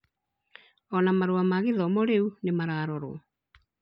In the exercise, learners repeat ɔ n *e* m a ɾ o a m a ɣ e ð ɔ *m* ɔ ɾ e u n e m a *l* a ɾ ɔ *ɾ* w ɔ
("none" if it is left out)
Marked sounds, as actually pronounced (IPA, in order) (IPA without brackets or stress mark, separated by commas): a, m, ɾ, ɾ